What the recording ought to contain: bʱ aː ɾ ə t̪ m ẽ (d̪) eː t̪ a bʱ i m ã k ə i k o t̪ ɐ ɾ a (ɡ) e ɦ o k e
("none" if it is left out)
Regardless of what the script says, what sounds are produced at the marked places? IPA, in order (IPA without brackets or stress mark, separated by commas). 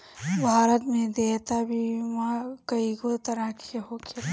d̪, k